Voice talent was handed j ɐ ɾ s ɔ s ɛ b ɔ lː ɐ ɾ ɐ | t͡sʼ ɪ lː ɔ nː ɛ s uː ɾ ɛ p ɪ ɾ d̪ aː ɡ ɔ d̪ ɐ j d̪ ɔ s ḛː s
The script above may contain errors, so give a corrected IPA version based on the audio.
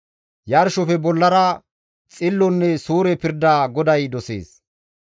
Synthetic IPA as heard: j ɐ ɾ ʃ ɔ f ɛ b ɔ lː ɐ ɾ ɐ | t͡sʼ ɪ lː ɔ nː ɛ s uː ɾ ɛ p ɪ ɾ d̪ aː ɡ ɔ d̪ ɐ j d̪ ɔ s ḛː s